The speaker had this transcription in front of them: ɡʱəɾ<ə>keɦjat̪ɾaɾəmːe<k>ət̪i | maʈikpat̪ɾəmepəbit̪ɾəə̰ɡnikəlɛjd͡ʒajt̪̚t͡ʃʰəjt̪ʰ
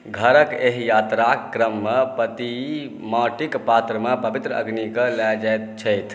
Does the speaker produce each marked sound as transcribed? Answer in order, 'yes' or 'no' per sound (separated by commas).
yes, no